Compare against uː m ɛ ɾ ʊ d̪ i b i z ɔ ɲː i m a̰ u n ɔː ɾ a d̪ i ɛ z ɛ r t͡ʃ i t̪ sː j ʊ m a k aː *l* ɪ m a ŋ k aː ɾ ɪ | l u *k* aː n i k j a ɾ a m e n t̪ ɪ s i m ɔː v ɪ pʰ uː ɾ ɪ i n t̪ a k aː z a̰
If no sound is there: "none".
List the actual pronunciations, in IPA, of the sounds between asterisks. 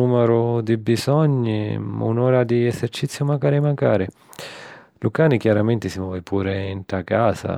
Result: ɾ, k

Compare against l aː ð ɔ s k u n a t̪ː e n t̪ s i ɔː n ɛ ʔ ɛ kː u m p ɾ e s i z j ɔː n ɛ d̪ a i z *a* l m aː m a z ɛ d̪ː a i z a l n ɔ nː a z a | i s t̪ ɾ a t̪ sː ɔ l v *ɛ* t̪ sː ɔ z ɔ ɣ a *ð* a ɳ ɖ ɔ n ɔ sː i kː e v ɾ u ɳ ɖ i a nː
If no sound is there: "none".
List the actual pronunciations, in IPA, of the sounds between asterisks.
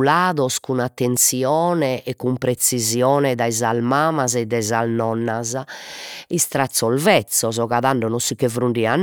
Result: a, ɛ, ð

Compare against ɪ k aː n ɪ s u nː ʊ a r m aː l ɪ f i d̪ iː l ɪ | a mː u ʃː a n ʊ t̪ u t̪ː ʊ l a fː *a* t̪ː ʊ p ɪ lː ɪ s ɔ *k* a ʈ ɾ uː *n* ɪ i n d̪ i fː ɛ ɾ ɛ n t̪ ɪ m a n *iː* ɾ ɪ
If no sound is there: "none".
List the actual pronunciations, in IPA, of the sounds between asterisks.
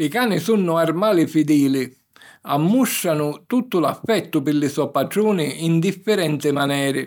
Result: ɛ, p, n, ɛː

